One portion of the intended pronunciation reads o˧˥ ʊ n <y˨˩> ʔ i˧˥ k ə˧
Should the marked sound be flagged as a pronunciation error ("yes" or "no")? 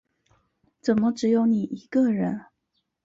yes